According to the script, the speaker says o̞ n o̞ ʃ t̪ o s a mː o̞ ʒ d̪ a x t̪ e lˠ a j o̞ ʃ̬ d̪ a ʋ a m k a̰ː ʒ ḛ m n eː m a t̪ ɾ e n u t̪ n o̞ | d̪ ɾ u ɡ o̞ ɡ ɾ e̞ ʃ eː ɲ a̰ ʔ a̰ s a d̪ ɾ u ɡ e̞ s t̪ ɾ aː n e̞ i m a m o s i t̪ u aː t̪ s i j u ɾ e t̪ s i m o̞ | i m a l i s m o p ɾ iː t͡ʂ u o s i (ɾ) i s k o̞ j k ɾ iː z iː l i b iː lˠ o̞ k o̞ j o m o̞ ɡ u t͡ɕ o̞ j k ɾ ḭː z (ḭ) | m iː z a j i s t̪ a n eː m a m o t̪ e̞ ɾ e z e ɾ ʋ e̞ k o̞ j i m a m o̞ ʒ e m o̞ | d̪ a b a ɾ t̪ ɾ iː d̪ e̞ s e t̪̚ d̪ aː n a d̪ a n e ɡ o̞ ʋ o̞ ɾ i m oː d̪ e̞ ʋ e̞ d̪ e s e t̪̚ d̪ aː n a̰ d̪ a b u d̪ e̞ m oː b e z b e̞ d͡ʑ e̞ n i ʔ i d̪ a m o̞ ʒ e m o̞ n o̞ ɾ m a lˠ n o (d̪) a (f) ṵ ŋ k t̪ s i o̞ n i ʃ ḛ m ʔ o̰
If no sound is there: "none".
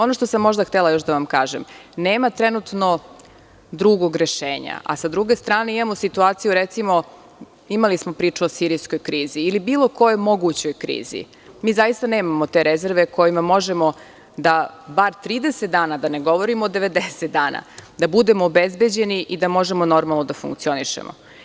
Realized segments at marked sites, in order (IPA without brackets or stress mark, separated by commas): ɾ, ḭ, d̪, f